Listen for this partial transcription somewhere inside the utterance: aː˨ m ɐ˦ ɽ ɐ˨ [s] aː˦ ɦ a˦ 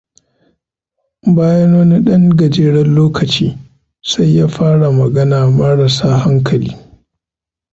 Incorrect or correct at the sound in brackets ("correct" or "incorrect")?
correct